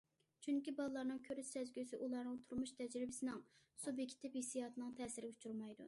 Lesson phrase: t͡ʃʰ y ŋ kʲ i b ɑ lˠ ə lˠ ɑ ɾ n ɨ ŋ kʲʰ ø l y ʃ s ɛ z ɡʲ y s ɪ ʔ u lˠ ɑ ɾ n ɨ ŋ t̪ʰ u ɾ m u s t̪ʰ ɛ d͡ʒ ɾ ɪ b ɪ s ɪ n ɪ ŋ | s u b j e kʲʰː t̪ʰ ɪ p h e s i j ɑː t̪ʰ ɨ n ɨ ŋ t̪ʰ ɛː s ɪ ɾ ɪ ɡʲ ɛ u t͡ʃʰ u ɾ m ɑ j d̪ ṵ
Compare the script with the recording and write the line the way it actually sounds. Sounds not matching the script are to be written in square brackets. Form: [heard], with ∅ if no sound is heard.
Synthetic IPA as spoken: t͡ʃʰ y ŋ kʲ i b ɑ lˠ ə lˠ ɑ ɾ n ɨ ŋ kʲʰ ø [ɾ] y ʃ s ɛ z ɡʲ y s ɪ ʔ u lˠ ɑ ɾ n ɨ ŋ t̪ʰ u ɾ m u [ʃ] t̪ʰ ɛ d͡ʒ ɾ ɪ b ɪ s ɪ n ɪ ŋ | s u b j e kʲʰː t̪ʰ ɪ p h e s i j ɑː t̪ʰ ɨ n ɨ ŋ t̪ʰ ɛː s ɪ ɾ ɪ ɡʲ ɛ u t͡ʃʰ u ɾ m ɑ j d̪ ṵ